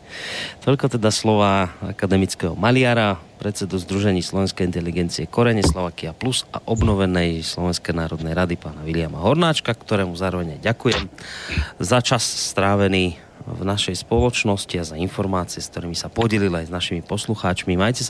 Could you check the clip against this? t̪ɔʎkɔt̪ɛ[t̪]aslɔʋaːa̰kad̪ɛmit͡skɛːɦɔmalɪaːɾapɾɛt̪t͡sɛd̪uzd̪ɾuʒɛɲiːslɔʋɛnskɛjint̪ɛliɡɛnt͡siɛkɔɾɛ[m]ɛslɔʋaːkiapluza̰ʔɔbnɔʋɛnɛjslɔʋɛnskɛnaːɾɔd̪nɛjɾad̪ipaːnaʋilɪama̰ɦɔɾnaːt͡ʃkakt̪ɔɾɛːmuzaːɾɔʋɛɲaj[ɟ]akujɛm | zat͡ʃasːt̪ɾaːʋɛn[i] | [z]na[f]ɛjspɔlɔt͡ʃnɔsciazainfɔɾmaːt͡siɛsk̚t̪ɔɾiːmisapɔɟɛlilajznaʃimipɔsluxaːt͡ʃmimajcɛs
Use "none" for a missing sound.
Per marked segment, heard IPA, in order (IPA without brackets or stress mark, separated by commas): d̪, ɲ, ɟ, iː, v, ʃ